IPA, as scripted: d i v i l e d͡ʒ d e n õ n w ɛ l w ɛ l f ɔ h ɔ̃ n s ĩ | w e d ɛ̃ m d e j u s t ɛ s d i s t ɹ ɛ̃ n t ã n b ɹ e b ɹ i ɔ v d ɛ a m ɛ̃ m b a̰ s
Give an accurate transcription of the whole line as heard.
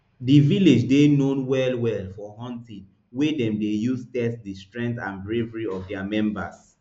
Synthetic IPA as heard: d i v i l e d͡ʒ d e n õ n w ɛ l w ɛ l f ɔ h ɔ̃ n t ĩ | w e d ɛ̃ m d e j u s t ɛ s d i s t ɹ ɛ̃ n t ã n b ɹ e v ɹ i ɔ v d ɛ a m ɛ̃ m b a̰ s